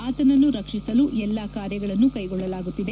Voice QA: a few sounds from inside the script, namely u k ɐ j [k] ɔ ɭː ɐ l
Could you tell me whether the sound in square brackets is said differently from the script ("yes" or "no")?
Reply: yes